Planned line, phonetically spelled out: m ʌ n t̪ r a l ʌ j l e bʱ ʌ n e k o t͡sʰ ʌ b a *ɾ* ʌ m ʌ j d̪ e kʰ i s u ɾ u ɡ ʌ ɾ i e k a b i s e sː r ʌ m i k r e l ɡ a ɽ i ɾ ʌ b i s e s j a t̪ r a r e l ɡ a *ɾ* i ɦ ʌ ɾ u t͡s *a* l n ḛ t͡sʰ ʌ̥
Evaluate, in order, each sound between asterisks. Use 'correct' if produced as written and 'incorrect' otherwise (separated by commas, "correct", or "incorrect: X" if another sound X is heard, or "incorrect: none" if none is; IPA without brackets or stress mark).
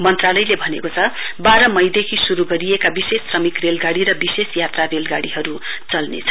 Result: correct, incorrect: ɽ, incorrect: ʌ